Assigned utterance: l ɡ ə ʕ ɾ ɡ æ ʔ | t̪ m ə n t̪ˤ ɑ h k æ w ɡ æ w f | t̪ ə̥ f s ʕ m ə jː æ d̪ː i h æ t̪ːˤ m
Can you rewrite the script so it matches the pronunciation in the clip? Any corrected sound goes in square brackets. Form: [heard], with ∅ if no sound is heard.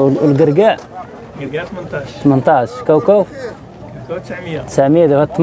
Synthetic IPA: l ɡ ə [∅] ɾ ɡ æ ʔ | t̪ m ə n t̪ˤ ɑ [ʃ] k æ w [k] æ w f | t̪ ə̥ [∅] s ʕ m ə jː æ [d̪] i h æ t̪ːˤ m